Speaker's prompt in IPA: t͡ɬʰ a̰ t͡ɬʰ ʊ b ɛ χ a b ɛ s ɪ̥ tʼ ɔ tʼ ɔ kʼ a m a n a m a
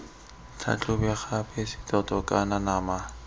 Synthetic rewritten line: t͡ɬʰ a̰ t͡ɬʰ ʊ b ɛ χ a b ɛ s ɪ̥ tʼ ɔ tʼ ɔ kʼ a n a n a m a